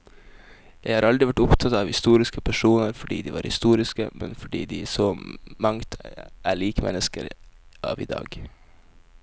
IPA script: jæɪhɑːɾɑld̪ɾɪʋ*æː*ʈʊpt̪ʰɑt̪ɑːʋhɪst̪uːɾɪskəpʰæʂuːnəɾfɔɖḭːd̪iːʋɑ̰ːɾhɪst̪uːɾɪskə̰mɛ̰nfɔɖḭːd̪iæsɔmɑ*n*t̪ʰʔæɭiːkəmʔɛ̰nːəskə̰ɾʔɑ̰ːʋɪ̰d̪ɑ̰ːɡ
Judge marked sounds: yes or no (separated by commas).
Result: no, no